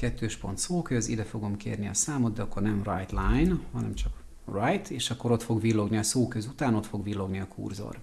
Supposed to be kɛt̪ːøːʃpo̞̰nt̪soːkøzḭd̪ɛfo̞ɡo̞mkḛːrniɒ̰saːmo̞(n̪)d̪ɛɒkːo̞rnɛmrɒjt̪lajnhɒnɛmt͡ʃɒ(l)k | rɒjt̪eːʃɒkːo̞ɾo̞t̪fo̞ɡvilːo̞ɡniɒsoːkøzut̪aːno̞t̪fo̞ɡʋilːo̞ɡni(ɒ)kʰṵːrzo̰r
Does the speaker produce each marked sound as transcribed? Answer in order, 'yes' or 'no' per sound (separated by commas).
no, no, yes